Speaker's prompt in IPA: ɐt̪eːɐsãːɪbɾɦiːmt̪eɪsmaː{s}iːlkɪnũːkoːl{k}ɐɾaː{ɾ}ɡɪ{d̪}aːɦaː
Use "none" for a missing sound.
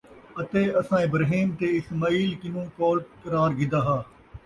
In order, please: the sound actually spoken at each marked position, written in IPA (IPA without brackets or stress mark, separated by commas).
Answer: none, k, ɾ, d̪